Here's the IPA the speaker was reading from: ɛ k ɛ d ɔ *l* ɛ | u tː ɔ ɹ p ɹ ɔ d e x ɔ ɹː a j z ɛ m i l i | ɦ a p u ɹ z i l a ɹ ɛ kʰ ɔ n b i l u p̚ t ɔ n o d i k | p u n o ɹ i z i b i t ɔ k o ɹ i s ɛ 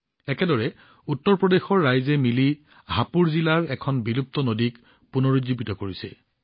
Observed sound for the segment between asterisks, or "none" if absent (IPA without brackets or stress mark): ɹ